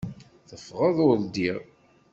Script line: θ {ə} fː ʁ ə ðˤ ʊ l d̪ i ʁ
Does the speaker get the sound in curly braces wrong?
no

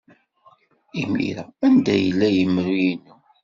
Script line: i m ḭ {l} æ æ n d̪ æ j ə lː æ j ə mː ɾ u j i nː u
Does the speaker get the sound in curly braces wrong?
yes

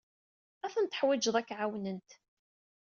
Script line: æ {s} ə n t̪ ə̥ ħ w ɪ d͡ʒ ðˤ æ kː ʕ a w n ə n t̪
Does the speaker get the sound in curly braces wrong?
yes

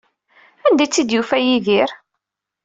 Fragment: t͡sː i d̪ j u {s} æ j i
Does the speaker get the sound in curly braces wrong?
yes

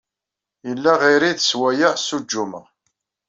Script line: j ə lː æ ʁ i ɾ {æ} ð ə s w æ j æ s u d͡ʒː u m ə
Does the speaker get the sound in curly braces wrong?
yes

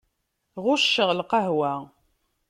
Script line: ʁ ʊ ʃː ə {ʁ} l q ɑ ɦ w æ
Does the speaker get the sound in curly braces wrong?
no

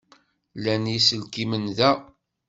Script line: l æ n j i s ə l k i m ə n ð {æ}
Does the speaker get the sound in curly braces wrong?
no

